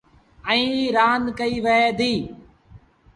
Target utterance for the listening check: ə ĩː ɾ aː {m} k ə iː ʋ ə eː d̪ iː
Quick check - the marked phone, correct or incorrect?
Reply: incorrect